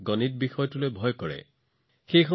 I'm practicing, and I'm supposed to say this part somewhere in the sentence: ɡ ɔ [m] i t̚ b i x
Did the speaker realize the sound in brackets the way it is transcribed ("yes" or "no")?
no